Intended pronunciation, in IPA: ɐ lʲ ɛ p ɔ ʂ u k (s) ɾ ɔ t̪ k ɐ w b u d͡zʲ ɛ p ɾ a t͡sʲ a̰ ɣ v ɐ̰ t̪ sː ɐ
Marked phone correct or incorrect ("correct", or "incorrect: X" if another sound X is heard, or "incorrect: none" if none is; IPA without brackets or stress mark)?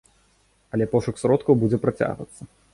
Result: correct